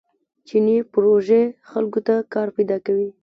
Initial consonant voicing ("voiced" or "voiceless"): voiceless